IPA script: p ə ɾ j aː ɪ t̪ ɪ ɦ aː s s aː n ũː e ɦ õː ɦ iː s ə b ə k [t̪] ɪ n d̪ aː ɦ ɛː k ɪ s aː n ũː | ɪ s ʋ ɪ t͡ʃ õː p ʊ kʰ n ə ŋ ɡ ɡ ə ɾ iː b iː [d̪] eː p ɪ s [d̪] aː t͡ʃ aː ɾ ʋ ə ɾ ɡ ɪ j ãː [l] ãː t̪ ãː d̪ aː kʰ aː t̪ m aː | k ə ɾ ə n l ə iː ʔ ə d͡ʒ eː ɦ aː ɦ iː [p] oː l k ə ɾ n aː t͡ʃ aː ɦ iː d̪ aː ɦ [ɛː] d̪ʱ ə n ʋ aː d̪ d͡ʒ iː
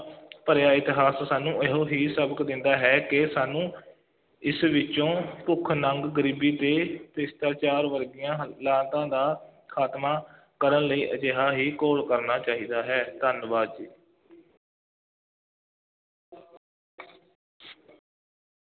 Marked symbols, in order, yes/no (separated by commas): no, no, no, yes, no, yes